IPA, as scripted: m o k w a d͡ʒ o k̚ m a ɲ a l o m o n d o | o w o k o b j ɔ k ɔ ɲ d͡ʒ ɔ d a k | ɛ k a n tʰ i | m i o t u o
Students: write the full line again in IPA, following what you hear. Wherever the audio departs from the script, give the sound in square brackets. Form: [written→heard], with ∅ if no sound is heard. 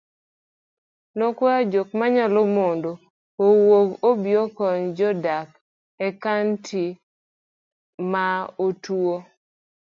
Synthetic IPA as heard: [m→n] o k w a d͡ʒ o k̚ m a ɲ a l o m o n d o | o w o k o b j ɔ k ɔ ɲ d͡ʒ ɔ d a k | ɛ k a n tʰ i | m [i→a] o t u o